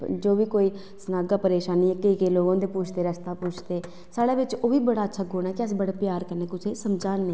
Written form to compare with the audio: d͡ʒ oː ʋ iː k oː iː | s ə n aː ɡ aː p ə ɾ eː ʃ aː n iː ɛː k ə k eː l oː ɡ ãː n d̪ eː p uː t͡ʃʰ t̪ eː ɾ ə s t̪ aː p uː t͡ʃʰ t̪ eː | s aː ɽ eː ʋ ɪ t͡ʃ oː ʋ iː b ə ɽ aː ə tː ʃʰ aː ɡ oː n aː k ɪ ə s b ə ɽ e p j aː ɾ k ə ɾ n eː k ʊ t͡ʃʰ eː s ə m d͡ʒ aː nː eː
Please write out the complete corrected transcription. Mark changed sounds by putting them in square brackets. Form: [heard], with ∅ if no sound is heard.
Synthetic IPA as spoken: d͡ʒ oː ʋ iː k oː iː | s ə n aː ɡ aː p ə ɾ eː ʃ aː n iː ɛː k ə k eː l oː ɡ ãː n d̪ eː p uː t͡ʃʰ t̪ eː ɾ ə s t̪ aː p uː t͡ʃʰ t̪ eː | s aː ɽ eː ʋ ɪ t͡ʃ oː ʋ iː b ə ɽ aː ə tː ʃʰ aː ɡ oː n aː k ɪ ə s b ə ɽ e p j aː ɾ k ə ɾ n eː k ʊ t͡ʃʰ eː s ə m d͡ʒ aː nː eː